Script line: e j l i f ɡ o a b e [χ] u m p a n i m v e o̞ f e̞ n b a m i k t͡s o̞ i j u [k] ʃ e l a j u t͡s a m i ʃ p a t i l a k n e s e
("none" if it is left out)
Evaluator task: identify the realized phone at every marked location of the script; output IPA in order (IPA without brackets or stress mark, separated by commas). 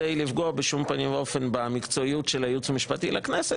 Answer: ʃ, t